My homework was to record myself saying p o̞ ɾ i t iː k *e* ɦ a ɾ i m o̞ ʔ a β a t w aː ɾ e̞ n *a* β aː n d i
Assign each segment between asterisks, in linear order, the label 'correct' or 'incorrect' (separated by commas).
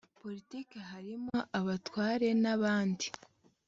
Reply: correct, correct